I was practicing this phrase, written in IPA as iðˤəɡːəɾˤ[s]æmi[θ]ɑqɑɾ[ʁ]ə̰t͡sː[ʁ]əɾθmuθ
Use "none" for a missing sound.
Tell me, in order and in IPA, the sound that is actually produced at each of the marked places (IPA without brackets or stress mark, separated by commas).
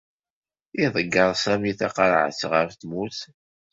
s, θ, ʕ, ʁ